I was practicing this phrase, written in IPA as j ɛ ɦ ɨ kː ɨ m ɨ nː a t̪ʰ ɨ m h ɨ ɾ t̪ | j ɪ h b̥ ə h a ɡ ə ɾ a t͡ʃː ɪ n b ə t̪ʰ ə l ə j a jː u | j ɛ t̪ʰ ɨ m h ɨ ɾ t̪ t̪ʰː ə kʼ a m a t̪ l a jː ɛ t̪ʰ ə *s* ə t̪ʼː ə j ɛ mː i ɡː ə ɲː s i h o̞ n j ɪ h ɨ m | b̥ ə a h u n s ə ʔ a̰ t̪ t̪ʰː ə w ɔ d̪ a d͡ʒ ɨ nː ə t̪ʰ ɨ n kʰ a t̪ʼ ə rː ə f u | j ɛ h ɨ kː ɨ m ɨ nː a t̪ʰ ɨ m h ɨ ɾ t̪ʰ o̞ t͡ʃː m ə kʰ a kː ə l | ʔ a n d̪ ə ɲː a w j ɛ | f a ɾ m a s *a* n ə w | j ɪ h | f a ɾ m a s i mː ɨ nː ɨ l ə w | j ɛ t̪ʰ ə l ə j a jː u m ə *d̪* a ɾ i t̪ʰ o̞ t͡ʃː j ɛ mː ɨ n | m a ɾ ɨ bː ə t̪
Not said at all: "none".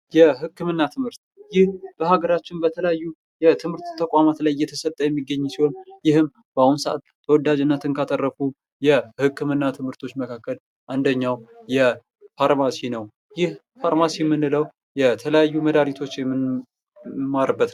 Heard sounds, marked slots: s, i, d̪

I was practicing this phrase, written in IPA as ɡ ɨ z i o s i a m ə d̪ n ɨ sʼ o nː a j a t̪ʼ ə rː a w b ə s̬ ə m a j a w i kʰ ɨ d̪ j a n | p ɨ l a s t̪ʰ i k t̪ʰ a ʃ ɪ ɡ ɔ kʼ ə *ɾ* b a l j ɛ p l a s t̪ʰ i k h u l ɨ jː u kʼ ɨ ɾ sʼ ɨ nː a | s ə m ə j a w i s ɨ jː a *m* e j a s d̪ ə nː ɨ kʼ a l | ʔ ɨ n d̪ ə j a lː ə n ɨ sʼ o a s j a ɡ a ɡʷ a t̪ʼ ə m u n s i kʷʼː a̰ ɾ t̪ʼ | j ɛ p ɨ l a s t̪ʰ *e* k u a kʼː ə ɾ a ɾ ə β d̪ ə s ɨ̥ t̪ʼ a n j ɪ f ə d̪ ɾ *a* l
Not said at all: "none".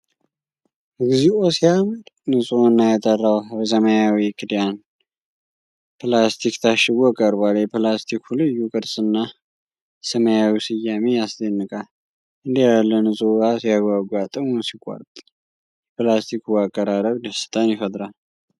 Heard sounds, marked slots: ɾ, m, i, a

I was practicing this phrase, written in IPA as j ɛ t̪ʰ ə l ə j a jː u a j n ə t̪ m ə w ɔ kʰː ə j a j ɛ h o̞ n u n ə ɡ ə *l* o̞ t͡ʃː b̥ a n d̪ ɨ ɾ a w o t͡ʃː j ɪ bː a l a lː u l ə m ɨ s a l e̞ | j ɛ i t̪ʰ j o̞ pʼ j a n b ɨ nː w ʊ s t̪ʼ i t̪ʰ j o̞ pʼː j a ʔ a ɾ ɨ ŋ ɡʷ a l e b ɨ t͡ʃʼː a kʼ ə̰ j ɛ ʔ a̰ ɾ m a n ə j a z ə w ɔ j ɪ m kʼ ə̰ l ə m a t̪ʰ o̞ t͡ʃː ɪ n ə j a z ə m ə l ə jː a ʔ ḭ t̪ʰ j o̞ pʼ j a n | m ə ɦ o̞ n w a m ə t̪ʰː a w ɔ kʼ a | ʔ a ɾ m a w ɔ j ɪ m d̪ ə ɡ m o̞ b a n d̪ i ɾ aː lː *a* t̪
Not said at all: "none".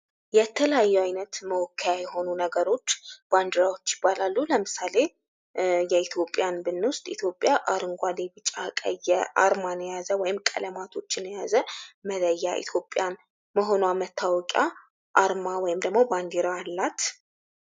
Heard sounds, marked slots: ɾ, a

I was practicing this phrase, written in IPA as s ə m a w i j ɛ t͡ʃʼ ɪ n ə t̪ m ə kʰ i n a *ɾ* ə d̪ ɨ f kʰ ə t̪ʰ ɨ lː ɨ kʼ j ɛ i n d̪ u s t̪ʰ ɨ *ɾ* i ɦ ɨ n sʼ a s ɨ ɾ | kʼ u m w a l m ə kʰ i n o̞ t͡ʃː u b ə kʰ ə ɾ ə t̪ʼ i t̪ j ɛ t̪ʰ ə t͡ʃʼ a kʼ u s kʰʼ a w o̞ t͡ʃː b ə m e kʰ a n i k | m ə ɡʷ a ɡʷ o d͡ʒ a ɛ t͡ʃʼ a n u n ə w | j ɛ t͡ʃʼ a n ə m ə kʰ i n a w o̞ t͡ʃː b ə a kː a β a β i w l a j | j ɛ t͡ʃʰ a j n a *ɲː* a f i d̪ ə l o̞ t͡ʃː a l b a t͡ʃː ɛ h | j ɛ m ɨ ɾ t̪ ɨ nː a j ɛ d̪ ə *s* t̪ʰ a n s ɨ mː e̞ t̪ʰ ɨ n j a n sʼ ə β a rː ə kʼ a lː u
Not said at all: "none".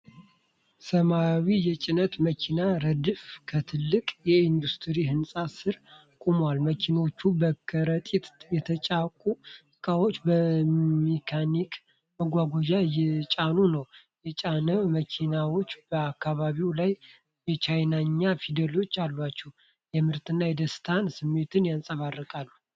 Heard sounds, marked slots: ɾ, ɾ, ɲː, s

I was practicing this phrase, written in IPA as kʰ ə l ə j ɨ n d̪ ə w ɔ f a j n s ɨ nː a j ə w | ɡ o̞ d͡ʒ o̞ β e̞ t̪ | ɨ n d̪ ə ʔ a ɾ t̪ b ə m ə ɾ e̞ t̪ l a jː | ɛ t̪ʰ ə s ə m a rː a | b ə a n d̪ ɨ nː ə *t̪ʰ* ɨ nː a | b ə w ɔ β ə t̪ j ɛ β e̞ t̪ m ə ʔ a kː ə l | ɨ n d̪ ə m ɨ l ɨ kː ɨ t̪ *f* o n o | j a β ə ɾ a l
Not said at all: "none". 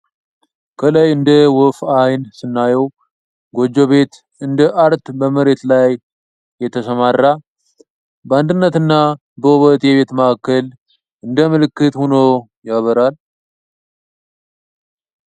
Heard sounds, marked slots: t̪, h

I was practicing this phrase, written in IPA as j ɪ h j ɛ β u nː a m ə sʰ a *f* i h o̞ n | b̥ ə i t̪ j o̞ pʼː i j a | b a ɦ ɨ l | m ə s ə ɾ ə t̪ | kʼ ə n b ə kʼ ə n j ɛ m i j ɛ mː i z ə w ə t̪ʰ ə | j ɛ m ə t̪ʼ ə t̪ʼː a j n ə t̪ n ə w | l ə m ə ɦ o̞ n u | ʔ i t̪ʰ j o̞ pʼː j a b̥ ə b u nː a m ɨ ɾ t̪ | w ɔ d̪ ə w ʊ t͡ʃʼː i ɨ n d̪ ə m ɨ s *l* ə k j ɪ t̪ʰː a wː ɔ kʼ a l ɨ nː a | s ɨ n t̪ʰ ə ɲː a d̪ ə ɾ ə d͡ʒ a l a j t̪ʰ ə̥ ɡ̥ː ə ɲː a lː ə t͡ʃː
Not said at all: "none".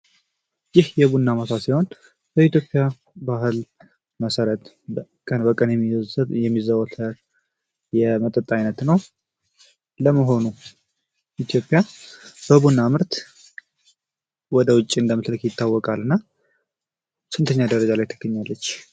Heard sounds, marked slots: s, l

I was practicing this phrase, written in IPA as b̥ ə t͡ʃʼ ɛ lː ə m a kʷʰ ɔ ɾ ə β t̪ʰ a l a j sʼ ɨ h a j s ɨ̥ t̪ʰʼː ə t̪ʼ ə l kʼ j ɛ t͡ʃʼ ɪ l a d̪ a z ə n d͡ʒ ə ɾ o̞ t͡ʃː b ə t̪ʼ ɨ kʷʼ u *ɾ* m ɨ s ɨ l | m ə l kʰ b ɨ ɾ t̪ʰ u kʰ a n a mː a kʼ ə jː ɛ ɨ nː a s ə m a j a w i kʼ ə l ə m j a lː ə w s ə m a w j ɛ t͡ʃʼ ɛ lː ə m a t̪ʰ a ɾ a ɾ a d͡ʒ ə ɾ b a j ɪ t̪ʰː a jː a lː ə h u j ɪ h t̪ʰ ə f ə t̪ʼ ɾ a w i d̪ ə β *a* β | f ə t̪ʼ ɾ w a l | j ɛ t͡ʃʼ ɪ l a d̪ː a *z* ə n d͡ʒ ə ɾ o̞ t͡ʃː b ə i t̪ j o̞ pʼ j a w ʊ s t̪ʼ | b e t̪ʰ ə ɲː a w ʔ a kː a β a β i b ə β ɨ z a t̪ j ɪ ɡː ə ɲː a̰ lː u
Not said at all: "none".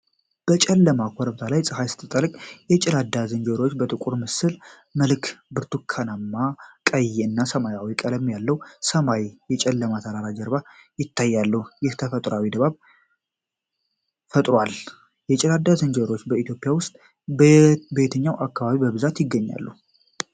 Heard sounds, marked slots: ɾ, a, z

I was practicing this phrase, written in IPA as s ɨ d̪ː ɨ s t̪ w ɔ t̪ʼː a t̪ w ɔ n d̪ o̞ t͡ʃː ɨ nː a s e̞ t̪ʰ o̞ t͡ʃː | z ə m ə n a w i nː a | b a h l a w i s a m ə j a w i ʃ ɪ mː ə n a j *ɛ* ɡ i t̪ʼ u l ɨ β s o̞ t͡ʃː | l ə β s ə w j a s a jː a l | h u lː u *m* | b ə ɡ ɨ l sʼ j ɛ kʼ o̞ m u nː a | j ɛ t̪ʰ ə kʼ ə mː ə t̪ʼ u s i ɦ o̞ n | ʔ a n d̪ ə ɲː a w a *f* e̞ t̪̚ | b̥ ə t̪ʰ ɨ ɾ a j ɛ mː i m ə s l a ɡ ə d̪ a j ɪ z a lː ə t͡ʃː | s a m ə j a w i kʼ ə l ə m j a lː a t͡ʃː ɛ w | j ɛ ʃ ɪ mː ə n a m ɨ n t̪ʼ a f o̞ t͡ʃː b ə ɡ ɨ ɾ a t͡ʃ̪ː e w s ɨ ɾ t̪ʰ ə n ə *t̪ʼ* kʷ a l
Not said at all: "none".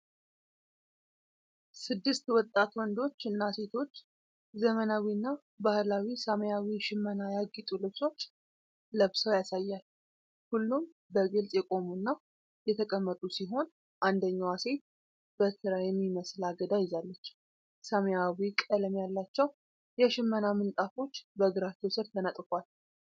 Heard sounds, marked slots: a, m, s, t̪ʼ

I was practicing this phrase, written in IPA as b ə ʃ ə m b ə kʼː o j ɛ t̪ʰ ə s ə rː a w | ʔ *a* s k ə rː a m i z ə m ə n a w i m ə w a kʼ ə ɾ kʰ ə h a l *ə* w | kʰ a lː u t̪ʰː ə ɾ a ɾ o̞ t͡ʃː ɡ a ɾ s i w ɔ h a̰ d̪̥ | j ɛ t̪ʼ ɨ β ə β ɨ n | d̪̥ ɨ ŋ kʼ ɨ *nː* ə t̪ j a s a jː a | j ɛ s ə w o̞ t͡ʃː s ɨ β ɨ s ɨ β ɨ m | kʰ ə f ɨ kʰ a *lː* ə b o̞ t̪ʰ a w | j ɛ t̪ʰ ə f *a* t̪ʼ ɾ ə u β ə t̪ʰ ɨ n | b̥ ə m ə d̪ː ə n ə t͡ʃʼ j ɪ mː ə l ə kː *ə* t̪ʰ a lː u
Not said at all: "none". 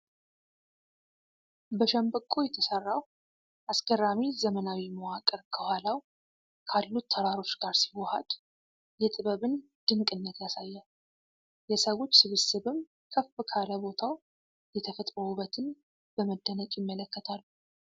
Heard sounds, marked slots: a, a, nː, l, ə, ə

